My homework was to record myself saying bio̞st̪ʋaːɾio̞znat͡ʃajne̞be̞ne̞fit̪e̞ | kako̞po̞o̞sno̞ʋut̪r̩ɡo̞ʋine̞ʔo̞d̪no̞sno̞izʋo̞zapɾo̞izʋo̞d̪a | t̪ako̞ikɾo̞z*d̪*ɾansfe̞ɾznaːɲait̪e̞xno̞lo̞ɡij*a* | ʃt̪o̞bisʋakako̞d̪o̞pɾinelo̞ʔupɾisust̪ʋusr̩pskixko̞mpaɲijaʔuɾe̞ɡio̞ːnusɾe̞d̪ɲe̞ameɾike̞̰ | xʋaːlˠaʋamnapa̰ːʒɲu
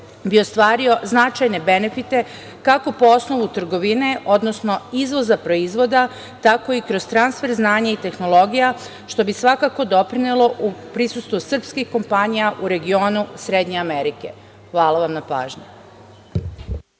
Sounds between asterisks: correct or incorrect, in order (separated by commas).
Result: incorrect, correct